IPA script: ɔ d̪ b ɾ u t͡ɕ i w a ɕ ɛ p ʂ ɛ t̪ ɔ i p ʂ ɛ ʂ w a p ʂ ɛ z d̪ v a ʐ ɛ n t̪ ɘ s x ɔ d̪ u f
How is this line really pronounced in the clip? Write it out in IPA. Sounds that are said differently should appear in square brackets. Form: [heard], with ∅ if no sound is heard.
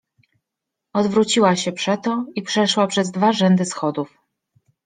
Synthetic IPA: ɔ d̪ [v] ɾ u t͡ɕ i w a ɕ ɛ p ʂ ɛ t̪ ɔ i p ʂ ɛ ʂ w a p ʂ ɛ z d̪ v a ʐ ɛ n [d̪] ɘ s x ɔ d̪ u f

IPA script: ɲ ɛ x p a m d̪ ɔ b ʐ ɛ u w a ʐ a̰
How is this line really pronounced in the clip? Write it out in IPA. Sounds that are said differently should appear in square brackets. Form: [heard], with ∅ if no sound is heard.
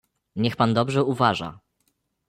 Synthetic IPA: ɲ ɛ x p a [n] d̪ ɔ b ʐ ɛ u [v] a ʐ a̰

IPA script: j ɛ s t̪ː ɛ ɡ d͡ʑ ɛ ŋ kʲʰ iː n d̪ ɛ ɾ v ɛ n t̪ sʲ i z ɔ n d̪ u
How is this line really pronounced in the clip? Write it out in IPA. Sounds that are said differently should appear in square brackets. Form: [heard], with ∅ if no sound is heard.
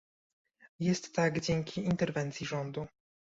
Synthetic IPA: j ɛ s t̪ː [a] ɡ d͡ʑ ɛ ŋ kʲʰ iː n [t̪] ɛ ɾ v ɛ n t̪ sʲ i [ʐ] ɔ n d̪ u

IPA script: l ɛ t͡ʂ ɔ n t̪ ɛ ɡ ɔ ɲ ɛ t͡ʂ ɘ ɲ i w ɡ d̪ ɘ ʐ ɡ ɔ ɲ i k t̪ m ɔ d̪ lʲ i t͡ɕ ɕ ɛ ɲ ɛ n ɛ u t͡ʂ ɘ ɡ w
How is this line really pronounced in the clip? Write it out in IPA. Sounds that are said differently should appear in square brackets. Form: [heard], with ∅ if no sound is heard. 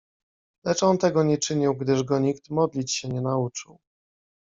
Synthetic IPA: l ɛ t͡ʂ ɔ n t̪ ɛ ɡ ɔ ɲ ɛ t͡ʂ ɘ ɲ i w ɡ d̪ ɘ ʐ ɡ ɔ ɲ i k t̪ m ɔ d̪ lʲ i t͡ɕ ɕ ɛ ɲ ɛ n [a] u t͡ʂ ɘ [∅] w

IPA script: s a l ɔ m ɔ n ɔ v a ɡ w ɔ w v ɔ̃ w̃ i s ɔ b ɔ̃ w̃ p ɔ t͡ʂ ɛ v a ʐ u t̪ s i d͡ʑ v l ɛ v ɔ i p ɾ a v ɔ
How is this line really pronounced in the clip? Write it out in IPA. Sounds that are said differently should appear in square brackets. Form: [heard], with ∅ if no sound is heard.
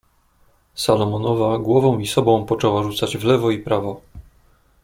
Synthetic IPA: s a l ɔ m ɔ n ɔ v a ɡ w ɔ [∅] v ɔ̃ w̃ i s ɔ b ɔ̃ w̃ p ɔ t͡ʂ ɛ [w] a ʐ u t̪ s [a] d͡ʑ v l ɛ v ɔ i p ɾ a v ɔ

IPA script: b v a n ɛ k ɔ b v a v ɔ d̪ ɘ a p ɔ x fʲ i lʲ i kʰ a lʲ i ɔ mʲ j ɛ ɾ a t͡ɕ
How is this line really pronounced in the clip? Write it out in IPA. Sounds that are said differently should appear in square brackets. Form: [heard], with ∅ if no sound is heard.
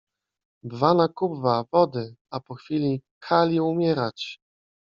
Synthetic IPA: b v a n [a] k [u] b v a v ɔ d̪ ɘ a p ɔ x fʲ i lʲ i kʰ a lʲ i [u] mʲ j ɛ ɾ a t͡ɕ

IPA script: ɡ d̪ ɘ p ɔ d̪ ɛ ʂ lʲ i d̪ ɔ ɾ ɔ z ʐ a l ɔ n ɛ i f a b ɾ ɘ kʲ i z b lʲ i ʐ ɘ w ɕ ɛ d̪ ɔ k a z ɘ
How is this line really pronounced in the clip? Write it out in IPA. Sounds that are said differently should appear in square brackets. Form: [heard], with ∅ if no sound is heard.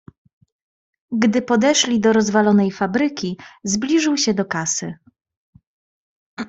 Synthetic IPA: ɡ d̪ ɘ p ɔ d̪ ɛ ʂ lʲ i d̪ ɔ ɾ ɔ z [v] a l ɔ n ɛ [j] f a b ɾ ɘ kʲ i z b lʲ i ʐ ɘ w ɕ ɛ d̪ ɔ k a [s] ɘ

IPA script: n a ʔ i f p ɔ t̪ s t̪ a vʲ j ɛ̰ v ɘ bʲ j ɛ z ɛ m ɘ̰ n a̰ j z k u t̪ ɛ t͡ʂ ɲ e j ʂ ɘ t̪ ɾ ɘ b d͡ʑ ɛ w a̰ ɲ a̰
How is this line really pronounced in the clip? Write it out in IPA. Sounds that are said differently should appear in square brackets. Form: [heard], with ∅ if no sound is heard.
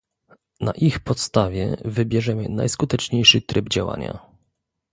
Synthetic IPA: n a ʔ i [x] p ɔ t̪ s t̪ a vʲ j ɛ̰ v ɘ bʲ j ɛ [ʐ] ɛ m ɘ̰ n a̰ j [s] k u t̪ ɛ t͡ʂ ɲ e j ʂ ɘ t̪ ɾ ɘ b d͡ʑ [a] w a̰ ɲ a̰

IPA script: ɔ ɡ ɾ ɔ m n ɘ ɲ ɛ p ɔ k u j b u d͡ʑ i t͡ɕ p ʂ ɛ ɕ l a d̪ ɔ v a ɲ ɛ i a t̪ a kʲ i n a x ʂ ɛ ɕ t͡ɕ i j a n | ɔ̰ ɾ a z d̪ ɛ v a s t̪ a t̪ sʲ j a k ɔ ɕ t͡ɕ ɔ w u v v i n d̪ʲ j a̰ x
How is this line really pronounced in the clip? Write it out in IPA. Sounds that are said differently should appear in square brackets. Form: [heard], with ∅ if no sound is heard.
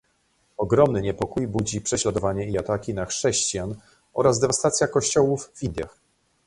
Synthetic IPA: ɔ ɡ ɾ ɔ m n ɘ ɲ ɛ p ɔ k u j b u d͡ʑ i [∅] p ʂ ɛ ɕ l a d̪ ɔ v a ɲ ɛ i a t̪ a kʲ i n a x ʂ ɛ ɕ t͡ɕ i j a n | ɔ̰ ɾ a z d̪ ɛ v a s t̪ a t̪ sʲ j a k ɔ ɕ t͡ɕ ɔ w u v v i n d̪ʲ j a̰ x

